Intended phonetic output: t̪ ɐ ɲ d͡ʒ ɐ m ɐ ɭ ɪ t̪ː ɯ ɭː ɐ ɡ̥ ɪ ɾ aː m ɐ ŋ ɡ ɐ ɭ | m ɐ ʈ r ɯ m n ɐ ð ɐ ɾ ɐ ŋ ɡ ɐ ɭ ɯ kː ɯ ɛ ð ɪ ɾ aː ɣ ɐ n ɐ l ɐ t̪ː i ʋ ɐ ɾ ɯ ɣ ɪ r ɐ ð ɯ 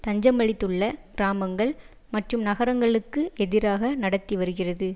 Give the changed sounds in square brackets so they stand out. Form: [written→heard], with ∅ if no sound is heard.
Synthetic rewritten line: t̪ ɐ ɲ d͡ʒ ɐ m ɐ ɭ ɪ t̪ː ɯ ɭː ɐ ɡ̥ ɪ ɾ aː m ɐ ŋ ɡ ɐ ɭ | m ɐ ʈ r ɯ m n ɐ [ð→ɣ] ɐ ɾ ɐ ŋ ɡ ɐ ɭ ɯ kː ɯ ɛ ð ɪ ɾ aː ɣ ɐ n ɐ [l→ɽ] ɐ t̪ː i ʋ ɐ ɾ ɯ ɣ ɪ r ɐ ð ɯ